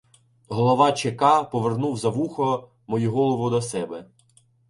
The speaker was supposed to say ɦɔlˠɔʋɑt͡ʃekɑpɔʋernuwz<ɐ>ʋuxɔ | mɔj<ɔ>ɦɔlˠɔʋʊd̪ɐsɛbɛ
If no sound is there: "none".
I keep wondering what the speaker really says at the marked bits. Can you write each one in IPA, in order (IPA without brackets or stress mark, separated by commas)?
ɐ, u